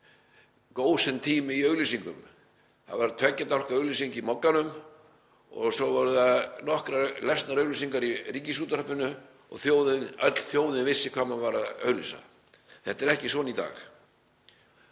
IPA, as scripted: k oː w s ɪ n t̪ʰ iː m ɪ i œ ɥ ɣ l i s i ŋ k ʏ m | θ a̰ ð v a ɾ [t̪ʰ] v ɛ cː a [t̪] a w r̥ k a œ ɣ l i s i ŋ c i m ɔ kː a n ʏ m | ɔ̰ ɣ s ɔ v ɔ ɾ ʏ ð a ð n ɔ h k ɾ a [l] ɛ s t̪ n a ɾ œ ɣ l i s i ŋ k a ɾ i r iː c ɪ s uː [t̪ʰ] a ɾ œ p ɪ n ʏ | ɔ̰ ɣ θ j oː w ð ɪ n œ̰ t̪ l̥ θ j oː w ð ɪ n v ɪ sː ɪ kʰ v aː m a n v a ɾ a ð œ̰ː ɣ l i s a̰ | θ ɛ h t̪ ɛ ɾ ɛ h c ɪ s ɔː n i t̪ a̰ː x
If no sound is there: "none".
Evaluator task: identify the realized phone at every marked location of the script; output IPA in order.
t̪ʰ, t̪, l, t̪

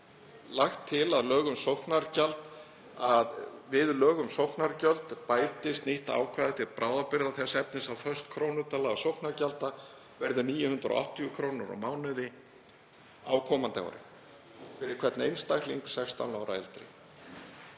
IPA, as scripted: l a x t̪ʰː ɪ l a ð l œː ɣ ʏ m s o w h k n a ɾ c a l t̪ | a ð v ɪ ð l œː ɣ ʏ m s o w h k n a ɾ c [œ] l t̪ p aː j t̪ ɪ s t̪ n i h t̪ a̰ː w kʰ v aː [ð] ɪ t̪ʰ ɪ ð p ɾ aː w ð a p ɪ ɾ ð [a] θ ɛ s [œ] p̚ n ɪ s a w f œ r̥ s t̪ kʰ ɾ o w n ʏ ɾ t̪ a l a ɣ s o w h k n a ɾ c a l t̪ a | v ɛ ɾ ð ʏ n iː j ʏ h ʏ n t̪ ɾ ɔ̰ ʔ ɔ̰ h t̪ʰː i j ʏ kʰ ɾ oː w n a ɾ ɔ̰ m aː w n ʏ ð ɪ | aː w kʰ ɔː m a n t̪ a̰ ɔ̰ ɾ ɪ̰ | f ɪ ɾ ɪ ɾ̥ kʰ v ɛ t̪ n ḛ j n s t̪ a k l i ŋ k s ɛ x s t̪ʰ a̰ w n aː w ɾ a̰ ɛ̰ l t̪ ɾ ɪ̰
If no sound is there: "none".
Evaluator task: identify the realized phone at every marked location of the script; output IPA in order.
œ, ð, a, ɛ

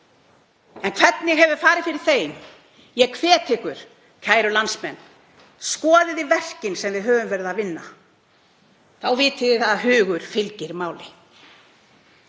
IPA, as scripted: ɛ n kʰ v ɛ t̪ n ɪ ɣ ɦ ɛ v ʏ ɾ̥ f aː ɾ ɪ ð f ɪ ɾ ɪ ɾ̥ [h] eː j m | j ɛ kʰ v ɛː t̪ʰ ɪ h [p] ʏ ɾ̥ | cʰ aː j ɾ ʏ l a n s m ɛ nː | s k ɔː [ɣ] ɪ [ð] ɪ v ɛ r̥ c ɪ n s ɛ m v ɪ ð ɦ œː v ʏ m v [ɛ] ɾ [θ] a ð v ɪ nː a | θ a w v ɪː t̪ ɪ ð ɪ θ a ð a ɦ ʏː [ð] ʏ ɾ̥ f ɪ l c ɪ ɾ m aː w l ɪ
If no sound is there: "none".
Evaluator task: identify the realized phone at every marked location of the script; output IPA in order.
θ, k, ð, ð, ɛ, ð, ɣ

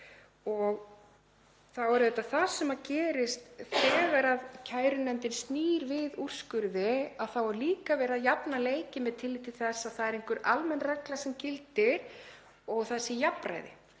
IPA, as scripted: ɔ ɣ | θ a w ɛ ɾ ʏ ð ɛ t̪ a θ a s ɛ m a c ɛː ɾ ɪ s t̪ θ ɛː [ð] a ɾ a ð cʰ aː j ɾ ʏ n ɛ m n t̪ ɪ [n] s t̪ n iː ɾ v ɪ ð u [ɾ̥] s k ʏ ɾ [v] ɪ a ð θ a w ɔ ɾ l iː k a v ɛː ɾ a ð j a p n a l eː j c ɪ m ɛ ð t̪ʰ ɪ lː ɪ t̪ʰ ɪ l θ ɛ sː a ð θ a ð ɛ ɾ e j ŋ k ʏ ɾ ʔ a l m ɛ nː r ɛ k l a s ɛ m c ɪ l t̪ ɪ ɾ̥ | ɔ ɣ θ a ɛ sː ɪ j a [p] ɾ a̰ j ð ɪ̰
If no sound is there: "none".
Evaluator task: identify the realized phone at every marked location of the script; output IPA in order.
ɣ, n, r̥, ð, p

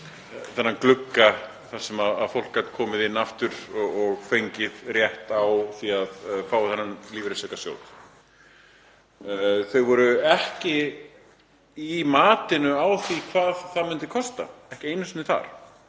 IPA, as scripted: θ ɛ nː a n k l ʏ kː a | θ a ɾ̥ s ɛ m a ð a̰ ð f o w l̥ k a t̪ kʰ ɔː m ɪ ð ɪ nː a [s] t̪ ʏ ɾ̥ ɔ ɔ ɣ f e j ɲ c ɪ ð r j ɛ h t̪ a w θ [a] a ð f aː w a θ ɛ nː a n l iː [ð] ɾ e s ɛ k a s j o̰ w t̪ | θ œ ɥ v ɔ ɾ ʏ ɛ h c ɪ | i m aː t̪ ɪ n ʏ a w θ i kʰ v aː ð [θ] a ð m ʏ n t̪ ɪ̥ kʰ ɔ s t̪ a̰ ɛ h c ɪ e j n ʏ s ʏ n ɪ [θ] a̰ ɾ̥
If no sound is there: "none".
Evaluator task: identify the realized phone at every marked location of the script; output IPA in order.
f, i, v, θ, θ

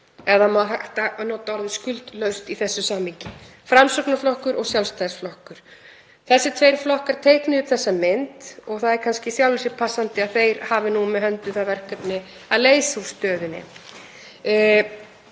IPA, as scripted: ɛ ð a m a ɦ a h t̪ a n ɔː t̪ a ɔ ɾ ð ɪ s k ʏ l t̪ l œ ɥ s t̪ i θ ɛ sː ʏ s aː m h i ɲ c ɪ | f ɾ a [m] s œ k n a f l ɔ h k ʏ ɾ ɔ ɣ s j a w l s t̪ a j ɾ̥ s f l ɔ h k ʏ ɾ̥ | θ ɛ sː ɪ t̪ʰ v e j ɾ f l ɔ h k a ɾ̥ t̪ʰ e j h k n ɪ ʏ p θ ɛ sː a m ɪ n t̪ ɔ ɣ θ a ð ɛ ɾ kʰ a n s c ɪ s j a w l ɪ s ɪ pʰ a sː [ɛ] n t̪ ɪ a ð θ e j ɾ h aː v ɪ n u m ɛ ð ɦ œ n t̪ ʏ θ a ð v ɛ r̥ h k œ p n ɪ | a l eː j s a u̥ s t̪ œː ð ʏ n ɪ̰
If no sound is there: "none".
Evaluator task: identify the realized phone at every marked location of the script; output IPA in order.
m, a

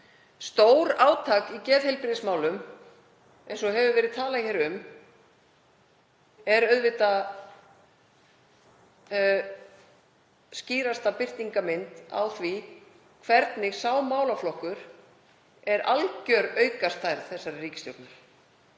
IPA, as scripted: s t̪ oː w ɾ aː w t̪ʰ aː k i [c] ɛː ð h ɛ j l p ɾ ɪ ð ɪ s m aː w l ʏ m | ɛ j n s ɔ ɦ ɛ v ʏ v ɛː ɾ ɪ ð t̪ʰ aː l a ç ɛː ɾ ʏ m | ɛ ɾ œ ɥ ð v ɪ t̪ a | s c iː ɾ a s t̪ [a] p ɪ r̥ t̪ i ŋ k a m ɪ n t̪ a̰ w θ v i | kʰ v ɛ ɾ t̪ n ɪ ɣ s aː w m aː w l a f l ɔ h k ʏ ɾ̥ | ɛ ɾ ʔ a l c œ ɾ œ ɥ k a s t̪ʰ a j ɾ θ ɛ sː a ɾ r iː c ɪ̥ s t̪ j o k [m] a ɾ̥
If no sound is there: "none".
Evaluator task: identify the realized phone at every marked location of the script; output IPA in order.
c, a, n

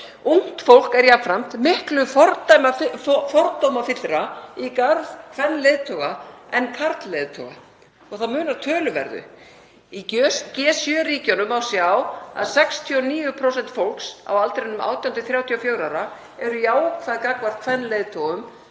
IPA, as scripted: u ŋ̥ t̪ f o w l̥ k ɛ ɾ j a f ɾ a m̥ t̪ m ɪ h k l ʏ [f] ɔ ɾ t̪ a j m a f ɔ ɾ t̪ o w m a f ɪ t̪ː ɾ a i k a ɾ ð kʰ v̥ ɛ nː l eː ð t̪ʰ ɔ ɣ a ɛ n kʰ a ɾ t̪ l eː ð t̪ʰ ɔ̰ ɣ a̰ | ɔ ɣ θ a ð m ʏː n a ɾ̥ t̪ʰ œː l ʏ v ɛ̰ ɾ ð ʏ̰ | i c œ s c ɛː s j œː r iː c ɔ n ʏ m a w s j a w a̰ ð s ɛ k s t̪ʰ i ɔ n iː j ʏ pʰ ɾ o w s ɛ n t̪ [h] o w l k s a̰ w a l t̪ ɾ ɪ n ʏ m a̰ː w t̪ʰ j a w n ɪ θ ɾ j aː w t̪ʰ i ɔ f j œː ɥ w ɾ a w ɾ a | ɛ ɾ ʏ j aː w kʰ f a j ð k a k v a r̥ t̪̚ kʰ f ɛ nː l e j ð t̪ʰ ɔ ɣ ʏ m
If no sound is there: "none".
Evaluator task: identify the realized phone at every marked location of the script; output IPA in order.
f, f

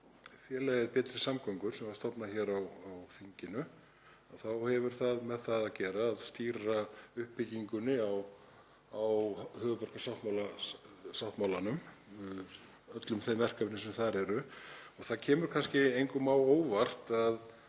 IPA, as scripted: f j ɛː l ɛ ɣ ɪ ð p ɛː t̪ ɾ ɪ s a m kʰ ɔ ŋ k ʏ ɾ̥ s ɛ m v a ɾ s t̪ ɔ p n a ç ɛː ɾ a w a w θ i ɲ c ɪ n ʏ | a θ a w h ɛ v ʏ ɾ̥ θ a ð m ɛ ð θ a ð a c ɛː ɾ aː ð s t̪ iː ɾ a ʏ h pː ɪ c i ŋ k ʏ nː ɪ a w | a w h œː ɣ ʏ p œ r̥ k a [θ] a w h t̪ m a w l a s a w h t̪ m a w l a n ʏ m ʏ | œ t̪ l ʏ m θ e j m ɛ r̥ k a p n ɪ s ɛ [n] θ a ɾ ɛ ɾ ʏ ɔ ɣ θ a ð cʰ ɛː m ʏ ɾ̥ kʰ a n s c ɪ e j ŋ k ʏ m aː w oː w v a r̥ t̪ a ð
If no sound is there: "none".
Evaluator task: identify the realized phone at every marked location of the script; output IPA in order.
s, m

